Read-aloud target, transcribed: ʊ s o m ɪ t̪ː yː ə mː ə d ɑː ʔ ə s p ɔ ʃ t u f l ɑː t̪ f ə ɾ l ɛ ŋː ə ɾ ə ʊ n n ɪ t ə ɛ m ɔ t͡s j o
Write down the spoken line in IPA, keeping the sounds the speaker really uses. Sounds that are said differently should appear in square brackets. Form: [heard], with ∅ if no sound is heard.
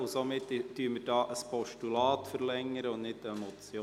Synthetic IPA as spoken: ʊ s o m ɪ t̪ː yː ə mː ə d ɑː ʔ ə s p ɔ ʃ t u [∅] l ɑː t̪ f ə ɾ l ɛ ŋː ə ɾ ə ʊ n n ɪ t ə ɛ m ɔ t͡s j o